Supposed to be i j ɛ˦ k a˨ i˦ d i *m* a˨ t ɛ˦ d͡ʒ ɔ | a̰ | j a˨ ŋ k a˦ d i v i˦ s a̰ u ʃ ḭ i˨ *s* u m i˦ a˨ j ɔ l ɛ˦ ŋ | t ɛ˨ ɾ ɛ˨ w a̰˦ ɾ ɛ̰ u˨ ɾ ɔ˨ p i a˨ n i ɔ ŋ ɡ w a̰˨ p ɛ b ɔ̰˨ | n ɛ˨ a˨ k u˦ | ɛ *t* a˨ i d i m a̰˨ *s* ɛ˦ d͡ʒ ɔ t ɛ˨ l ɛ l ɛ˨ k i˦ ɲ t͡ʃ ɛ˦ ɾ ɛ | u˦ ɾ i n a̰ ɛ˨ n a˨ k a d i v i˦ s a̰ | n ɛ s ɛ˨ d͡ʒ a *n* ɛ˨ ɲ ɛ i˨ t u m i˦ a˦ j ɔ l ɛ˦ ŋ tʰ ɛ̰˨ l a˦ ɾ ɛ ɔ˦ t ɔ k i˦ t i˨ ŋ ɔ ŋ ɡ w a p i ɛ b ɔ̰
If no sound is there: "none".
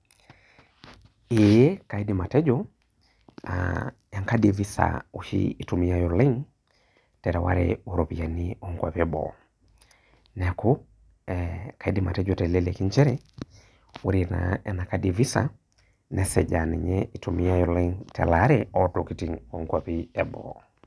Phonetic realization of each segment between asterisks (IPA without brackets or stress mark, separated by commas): m, t, k, t, n